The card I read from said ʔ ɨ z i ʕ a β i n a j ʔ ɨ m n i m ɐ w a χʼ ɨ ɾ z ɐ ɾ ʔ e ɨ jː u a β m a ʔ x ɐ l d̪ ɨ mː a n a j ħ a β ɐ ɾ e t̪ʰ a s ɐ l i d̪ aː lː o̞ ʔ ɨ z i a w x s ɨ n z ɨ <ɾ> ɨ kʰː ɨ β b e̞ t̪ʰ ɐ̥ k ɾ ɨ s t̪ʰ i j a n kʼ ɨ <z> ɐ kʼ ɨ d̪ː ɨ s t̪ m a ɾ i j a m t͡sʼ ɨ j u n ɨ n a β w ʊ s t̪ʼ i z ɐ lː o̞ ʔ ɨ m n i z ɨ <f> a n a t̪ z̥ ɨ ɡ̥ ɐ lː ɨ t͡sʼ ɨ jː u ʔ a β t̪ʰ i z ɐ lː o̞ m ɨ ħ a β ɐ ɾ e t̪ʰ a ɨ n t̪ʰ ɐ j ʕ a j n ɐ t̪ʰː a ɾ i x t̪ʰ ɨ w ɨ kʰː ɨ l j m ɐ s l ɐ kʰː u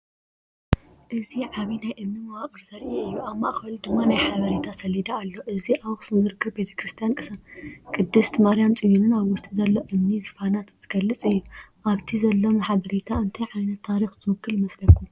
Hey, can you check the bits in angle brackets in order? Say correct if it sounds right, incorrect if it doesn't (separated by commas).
correct, incorrect, correct